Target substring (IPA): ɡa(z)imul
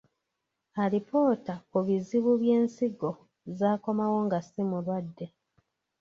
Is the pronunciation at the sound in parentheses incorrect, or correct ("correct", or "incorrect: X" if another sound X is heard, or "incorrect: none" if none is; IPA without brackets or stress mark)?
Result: incorrect: s